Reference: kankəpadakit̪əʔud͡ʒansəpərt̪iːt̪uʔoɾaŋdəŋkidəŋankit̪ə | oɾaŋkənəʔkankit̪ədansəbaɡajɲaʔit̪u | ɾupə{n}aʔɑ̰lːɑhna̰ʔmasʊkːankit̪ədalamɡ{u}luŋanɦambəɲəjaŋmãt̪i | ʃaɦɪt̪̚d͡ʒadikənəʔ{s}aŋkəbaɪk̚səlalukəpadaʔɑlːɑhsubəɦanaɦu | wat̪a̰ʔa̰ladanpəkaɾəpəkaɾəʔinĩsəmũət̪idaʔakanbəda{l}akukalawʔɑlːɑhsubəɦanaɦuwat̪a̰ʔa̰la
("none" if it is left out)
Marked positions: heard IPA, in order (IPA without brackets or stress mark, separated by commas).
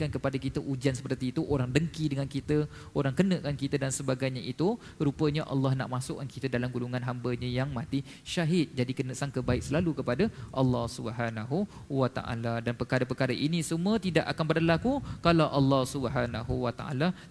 ɲ, u, s, l